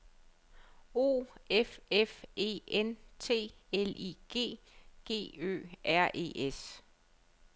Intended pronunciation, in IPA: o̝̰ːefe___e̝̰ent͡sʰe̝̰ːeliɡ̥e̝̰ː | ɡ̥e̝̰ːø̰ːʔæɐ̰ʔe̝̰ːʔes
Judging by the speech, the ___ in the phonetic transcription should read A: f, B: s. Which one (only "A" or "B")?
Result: A